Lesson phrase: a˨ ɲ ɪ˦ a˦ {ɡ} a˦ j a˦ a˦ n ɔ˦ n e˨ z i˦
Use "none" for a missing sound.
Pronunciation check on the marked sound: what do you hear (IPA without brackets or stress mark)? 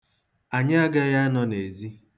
ɡ